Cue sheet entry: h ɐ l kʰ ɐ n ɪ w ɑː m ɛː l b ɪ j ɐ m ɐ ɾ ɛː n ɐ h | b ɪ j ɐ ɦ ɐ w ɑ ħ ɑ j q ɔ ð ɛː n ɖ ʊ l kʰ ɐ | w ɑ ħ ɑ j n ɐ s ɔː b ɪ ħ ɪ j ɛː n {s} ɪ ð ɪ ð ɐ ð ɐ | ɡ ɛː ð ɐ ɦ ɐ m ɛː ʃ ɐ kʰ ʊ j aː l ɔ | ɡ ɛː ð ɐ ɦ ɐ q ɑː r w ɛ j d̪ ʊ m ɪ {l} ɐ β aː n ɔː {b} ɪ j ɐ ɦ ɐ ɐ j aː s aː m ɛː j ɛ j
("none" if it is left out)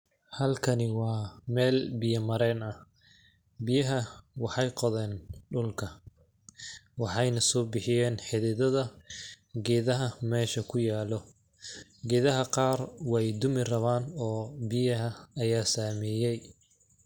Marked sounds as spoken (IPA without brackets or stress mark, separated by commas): ħ, r, b